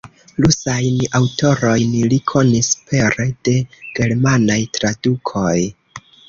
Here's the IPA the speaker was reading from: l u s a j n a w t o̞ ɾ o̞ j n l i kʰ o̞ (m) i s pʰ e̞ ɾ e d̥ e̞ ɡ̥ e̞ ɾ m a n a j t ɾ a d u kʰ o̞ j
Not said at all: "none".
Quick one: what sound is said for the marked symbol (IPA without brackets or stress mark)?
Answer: n